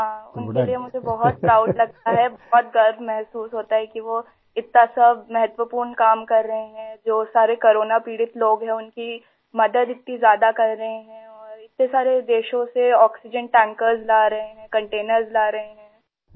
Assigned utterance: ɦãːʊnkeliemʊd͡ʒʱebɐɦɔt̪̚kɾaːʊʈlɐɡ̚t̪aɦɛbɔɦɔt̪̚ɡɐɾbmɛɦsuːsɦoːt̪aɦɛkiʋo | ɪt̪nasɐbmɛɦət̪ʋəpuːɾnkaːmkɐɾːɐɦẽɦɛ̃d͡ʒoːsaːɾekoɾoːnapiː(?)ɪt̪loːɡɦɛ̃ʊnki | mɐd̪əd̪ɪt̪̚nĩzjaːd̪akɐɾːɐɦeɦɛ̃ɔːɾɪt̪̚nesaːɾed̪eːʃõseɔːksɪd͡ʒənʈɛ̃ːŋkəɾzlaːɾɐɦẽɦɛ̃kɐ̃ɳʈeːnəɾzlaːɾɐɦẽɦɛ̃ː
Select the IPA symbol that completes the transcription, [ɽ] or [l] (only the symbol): ɽ